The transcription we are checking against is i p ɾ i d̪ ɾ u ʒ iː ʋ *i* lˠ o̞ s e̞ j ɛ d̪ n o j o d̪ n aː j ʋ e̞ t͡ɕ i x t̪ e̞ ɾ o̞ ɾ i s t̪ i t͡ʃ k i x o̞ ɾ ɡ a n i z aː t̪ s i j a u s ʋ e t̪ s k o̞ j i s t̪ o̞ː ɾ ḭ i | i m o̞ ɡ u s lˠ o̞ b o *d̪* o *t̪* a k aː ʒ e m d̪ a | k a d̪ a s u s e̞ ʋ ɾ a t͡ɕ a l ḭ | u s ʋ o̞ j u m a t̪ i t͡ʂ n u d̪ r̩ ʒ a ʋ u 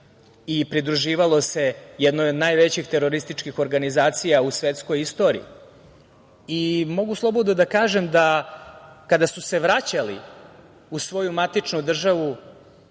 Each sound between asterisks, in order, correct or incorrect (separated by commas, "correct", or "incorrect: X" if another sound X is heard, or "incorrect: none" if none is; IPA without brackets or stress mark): incorrect: a, correct, incorrect: d̪